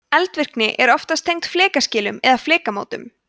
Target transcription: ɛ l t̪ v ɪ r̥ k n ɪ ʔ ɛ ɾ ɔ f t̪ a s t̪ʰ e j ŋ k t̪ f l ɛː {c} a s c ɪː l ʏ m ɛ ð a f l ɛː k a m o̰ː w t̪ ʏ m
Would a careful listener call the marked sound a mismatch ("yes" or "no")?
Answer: yes